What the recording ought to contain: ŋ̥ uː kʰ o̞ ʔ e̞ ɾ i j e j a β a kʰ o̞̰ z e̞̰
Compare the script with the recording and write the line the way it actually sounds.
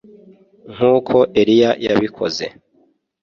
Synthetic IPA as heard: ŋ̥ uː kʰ o̞ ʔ e̞ ɾ i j a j a β i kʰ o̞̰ z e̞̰